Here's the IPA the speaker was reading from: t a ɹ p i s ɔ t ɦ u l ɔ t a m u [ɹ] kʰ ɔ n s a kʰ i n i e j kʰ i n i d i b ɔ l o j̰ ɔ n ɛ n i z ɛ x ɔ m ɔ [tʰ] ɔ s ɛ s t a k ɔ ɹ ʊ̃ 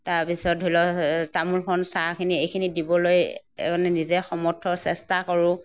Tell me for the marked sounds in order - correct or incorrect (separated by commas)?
incorrect, correct